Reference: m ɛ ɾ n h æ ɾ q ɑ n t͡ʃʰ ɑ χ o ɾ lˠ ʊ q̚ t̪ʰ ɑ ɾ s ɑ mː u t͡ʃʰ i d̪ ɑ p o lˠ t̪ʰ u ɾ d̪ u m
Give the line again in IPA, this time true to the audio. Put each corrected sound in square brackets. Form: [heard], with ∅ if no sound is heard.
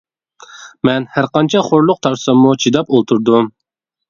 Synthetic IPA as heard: m ɛ [∅] n h æ ɾ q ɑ n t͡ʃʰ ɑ χ o ɾ lˠ ʊ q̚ t̪ʰ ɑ ɾ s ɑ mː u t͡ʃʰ i d̪ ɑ p o lˠ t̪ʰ u ɾ d̪ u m